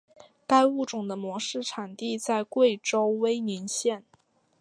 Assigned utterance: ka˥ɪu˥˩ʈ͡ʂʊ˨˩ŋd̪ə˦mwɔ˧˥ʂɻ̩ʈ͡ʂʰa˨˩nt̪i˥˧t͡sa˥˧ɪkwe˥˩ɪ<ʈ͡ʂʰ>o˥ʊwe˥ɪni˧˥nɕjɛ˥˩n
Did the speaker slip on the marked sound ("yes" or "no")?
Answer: yes